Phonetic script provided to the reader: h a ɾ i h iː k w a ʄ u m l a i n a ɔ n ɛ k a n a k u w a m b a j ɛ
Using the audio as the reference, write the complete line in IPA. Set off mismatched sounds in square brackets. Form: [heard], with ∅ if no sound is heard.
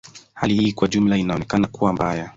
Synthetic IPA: h a [l] i h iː k w a ʄ u m l a i n a ɔ n ɛ k a n a k u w a m b a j [a]